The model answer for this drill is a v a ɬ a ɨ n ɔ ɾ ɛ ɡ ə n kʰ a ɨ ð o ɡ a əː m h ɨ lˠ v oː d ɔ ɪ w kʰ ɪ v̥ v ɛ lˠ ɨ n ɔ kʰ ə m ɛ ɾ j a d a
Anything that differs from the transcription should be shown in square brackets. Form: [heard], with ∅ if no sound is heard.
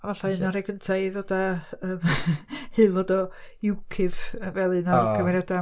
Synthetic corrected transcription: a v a ɬ a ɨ n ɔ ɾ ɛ ɡ ə n [tʰ] a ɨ ð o [d] a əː m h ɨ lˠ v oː d ɔ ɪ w kʰ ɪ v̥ v ɛ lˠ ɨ n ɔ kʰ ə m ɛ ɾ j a d a